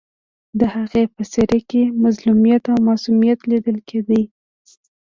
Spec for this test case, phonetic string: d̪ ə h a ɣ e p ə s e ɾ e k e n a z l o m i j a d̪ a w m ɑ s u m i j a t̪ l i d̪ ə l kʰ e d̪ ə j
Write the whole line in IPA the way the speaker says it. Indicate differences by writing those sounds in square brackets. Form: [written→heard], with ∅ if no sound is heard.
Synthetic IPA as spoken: d̪ ə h a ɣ e p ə s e ɾ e k e [n→m] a z l [o→u] m i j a [d̪→t̪] a w m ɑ s u m i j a t̪ l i d̪ ə l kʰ e d̪ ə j